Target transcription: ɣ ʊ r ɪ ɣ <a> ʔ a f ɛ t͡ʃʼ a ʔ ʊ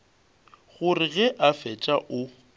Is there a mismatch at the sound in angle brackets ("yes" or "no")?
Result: yes